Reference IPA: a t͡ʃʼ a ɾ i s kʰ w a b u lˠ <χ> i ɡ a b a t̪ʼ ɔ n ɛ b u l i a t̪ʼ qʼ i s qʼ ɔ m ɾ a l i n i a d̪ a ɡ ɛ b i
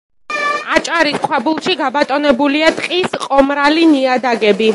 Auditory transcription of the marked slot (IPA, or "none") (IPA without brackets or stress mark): ʃ